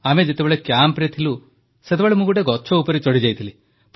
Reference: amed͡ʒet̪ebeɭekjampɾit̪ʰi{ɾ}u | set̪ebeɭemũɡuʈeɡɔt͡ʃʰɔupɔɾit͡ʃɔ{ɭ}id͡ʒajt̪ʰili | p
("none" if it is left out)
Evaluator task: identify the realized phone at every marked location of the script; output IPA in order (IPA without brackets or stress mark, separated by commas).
l, ɽ